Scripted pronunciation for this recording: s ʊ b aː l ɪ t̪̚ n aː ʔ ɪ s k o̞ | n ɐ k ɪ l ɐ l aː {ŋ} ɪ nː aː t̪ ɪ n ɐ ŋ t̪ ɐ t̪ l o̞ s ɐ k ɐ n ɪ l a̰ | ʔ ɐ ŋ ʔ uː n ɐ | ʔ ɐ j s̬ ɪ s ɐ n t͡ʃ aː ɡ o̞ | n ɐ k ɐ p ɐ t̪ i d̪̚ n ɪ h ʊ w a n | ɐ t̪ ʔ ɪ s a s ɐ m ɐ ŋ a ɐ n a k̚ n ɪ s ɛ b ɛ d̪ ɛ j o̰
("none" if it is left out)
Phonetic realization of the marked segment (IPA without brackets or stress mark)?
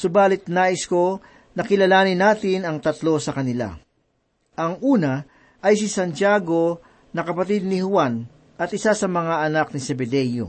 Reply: n